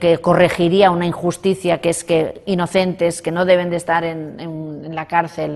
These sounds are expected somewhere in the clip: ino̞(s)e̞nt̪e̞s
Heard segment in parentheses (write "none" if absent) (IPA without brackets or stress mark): θ